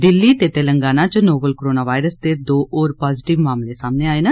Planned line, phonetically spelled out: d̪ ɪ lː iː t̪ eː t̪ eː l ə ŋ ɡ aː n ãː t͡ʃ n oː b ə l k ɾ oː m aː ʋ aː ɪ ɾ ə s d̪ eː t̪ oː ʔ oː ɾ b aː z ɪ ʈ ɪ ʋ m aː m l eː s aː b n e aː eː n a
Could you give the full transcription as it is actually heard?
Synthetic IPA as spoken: d̪ ɪ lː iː t̪ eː t̪ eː l ə ŋ ɡ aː n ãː t͡ʃ n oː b ə l k ɾ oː n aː ʋ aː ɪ ɾ ə s d̪ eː d̪ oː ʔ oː ɾ p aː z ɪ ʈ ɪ ʋ m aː m l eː s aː m n e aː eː n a